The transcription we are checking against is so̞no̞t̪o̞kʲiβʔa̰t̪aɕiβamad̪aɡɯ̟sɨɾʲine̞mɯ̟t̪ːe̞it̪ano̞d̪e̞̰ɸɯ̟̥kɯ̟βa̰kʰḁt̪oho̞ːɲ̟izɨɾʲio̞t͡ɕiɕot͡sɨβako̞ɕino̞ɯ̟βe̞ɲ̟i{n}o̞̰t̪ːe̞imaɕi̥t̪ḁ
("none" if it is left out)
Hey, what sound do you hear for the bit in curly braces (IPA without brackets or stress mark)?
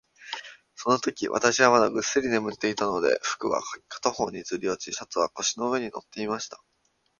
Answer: n